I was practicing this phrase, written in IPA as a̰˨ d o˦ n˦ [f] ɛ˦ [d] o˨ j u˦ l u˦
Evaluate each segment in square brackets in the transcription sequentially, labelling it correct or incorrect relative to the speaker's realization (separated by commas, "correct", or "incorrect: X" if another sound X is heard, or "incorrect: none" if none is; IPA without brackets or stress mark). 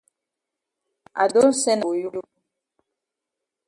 incorrect: s, incorrect: n